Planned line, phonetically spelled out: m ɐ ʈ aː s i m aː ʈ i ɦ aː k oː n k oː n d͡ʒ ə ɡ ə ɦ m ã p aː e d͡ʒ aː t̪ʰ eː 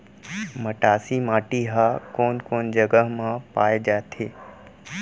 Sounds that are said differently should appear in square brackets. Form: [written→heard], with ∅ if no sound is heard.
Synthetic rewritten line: m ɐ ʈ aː s i m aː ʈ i ɦ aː k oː n k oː n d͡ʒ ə ɡ ə ɦ m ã p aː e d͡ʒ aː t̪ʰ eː